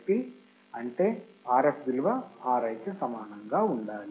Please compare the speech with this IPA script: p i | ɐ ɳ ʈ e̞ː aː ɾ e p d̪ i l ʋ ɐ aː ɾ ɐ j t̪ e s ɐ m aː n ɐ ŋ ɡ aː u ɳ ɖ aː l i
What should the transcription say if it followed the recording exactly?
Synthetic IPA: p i | ɐ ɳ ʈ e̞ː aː ɾ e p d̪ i l ʋ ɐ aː ɾ ɐ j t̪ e s ɐ m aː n ɐ ŋ ɡ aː u ɳ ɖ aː l i